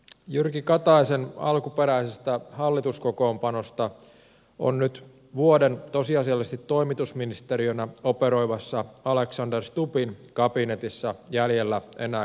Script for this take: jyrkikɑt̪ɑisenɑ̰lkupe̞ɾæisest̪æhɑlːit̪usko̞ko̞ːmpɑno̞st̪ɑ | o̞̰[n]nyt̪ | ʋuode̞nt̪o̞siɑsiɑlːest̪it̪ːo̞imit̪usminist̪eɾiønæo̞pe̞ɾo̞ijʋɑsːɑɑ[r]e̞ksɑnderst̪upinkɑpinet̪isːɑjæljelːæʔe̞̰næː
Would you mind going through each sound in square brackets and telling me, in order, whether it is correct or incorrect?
correct, incorrect

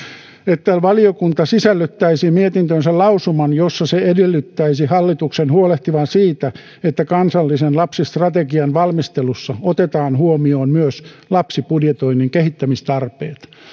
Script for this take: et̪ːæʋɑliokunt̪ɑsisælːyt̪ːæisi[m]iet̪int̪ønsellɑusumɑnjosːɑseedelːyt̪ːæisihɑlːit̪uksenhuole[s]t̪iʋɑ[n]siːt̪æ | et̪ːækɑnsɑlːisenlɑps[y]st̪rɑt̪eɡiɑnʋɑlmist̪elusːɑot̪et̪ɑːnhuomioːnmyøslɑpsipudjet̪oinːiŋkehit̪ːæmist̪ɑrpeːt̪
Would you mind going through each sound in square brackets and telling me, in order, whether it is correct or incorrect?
correct, incorrect, correct, incorrect

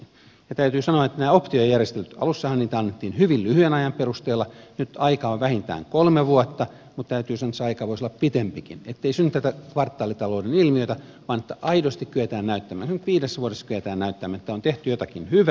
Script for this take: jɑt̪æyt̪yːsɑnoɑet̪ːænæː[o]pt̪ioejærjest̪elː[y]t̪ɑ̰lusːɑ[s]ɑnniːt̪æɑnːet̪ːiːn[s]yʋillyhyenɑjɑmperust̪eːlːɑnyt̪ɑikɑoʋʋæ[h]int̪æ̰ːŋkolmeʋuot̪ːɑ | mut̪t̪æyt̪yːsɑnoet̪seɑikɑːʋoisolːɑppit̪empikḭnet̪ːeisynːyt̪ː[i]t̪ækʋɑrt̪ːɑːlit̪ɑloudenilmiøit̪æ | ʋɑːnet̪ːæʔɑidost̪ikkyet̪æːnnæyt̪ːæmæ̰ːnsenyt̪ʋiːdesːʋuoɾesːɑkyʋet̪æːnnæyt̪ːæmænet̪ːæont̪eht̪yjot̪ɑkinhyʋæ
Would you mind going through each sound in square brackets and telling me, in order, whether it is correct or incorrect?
correct, correct, incorrect, incorrect, correct, incorrect

